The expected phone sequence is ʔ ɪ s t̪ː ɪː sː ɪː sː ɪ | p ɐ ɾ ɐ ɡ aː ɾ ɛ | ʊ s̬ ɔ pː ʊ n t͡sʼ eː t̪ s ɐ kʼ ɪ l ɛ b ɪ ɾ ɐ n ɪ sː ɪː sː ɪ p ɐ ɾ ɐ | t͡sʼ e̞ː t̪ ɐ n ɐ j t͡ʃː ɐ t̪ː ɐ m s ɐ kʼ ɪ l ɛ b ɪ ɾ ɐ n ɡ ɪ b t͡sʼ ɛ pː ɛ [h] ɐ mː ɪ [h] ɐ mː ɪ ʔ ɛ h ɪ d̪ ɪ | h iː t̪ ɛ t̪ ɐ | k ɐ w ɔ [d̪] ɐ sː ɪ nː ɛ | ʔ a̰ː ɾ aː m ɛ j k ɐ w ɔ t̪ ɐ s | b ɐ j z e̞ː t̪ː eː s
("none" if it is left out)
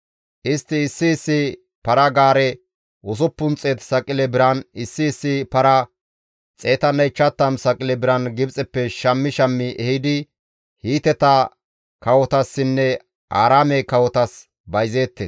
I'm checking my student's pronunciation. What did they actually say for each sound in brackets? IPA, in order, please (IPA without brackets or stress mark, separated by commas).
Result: ʃ, ʃ, t̪